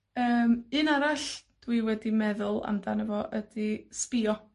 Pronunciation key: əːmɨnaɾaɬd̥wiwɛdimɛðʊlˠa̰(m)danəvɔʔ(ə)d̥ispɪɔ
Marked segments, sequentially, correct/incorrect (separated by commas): correct, correct